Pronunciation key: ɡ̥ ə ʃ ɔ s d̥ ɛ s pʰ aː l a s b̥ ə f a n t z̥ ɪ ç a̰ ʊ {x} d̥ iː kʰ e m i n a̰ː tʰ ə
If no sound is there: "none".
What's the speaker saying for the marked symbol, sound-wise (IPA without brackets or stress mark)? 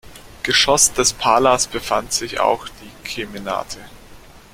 x